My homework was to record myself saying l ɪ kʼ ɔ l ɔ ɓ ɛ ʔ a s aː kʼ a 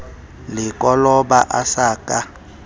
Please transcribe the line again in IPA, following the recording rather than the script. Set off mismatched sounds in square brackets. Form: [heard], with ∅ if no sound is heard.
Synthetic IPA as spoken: l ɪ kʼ ɔ l ɔ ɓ [a] ʔ a s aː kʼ a